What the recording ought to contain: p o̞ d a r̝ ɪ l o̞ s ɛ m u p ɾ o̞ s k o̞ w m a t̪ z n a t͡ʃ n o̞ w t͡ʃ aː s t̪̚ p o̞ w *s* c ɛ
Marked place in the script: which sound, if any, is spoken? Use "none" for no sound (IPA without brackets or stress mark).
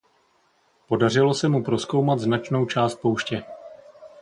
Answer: ʃ